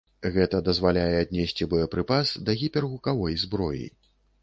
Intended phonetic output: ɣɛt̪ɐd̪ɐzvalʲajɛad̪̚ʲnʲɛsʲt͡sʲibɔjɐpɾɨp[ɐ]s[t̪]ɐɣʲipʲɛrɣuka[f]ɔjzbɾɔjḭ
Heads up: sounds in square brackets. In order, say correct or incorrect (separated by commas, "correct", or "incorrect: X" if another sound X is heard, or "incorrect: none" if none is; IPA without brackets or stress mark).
incorrect: a, incorrect: d̪, incorrect: v